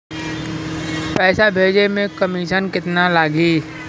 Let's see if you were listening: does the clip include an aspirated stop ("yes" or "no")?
no